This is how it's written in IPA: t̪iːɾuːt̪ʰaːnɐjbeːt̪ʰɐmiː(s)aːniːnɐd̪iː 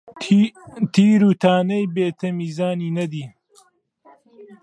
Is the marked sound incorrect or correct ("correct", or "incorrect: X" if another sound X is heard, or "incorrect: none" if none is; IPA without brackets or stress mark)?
incorrect: z